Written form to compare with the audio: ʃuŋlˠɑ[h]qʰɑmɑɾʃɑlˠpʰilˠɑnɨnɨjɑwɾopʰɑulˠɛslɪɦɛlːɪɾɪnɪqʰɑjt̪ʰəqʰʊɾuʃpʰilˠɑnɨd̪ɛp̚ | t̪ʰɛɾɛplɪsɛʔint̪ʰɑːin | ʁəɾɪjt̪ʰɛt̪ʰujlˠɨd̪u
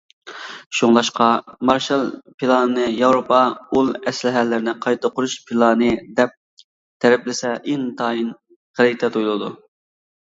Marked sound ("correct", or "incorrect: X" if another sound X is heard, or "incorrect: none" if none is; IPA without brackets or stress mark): incorrect: ʃ